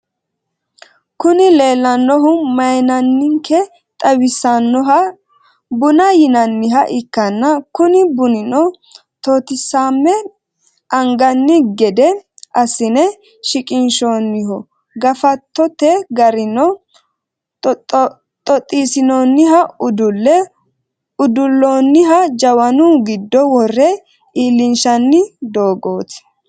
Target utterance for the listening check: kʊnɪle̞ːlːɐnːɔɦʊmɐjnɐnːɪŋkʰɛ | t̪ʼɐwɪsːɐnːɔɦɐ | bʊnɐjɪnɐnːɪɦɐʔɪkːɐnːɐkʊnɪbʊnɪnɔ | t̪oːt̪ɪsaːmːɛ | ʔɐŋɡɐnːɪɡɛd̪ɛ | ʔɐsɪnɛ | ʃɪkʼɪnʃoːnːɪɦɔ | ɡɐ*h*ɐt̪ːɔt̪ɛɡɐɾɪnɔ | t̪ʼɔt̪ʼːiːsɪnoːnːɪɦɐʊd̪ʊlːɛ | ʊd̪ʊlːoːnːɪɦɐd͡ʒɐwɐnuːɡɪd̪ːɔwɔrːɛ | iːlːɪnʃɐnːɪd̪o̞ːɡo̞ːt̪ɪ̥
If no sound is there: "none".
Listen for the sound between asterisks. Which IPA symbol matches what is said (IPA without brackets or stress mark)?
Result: f